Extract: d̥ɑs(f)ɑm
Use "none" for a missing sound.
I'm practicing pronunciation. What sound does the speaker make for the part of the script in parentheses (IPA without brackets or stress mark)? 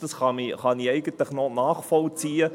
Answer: χ